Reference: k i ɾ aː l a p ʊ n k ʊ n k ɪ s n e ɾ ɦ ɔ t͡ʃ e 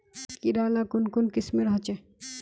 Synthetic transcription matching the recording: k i ɾ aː l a k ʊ n k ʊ n k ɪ s m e ɾ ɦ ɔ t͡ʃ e